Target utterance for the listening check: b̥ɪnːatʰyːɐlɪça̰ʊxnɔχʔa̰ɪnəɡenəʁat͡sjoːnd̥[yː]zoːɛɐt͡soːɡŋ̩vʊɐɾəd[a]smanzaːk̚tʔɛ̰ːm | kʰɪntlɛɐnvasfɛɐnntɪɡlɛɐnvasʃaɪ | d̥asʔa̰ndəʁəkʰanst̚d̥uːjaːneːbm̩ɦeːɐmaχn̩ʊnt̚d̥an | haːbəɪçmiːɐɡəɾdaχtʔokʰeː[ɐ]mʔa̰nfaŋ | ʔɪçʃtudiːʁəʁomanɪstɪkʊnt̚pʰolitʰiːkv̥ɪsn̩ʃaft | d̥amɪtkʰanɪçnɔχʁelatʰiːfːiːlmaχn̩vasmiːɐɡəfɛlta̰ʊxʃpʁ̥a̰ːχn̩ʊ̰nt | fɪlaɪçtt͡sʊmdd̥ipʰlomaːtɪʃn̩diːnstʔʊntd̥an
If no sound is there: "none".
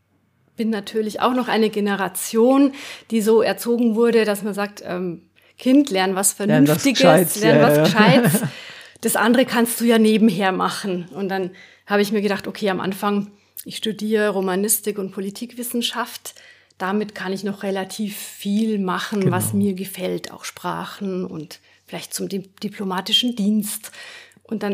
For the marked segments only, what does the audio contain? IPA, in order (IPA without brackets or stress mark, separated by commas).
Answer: iː, a, a